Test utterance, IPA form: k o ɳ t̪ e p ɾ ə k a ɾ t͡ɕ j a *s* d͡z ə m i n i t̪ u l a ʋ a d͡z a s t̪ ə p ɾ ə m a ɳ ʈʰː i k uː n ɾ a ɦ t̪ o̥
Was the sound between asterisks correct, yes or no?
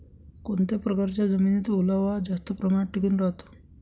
no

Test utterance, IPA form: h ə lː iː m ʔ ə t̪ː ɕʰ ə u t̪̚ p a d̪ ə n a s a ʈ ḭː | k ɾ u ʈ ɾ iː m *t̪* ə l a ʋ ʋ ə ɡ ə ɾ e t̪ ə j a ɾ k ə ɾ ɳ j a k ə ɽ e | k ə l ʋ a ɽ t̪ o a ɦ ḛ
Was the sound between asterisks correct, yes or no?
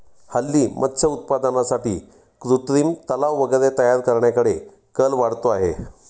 yes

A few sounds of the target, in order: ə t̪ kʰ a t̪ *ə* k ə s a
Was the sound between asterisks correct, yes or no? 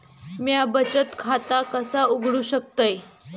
no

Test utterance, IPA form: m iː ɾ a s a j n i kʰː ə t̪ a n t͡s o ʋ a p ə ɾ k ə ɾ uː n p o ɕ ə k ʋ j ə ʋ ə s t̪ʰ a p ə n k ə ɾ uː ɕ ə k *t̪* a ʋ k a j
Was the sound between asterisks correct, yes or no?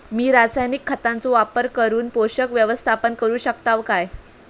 yes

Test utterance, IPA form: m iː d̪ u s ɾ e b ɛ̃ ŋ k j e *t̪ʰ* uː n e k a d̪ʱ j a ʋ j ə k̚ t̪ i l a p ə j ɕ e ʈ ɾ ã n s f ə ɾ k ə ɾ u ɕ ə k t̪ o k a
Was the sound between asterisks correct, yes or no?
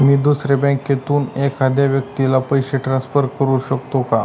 no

